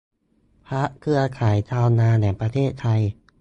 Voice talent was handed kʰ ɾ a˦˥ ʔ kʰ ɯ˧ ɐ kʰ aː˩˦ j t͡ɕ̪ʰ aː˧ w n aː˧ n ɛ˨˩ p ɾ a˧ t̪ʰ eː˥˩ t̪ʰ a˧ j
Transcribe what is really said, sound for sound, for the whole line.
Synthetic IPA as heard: pʰ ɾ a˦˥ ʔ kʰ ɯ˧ ɐ kʰ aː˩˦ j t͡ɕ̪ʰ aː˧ w n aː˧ n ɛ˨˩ p ɾ a˧ t̪ʰ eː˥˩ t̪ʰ a˧ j